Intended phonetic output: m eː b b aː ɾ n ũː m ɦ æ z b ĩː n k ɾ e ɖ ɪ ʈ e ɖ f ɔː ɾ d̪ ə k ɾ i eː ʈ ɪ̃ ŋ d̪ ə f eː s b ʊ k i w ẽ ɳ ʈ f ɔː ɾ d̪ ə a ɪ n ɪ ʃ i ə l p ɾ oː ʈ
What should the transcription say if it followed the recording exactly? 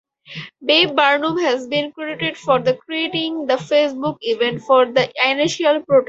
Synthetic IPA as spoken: b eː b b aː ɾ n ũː m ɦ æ z b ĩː n k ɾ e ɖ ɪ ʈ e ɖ f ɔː ɾ d̪ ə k ɾ i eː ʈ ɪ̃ ŋ d̪ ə f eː s b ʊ k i ʋ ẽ ɳ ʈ f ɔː ɾ d̪ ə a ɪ n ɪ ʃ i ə l p ɾ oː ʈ